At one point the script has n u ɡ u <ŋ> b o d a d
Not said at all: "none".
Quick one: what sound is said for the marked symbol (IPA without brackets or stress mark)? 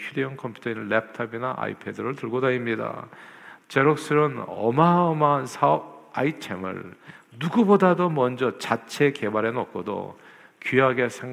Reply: none